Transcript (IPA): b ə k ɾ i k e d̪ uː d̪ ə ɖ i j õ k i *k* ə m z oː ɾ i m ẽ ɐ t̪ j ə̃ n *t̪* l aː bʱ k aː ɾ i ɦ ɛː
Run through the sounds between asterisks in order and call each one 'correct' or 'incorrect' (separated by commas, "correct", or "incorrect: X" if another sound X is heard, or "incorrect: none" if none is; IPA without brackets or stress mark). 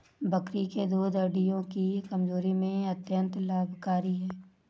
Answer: correct, correct